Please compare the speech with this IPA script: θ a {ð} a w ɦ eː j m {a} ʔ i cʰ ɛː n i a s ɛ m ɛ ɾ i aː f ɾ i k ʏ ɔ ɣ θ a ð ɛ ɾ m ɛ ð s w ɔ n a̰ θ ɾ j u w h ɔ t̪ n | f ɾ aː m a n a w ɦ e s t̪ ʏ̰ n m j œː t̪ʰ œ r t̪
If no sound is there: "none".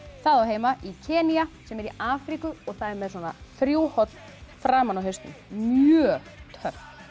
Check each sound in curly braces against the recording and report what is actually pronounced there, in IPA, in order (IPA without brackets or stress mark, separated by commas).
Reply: ð, a